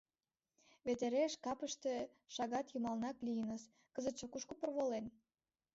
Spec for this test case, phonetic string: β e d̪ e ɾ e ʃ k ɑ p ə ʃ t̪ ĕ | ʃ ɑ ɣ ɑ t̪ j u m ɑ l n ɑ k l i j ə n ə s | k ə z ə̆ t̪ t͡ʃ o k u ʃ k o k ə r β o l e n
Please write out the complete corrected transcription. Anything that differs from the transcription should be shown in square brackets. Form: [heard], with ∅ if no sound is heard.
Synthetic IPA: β e [t̪] e ɾ e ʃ k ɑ p ə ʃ t̪ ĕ | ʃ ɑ ɣ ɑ t̪ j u m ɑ l n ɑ k l i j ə n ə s | k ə z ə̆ t̪ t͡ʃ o k u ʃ k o [p] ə r β o l e n